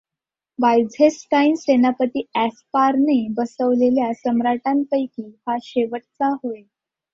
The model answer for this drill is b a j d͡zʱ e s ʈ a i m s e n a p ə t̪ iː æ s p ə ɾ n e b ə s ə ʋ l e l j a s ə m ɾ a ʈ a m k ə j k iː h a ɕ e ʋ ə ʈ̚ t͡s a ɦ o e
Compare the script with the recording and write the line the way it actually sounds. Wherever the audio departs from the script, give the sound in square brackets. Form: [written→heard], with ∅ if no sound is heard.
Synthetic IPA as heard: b a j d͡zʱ e s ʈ a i [m→n] s e n a p ə t̪ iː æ s p [ə→a] ɾ n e b ə s ə ʋ l e l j a s ə m ɾ a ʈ a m [k→p] ə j k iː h a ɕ e ʋ ə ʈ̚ t͡s a ɦ o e